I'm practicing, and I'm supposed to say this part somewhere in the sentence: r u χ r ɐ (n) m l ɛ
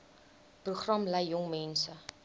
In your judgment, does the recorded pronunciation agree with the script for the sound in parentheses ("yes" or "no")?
no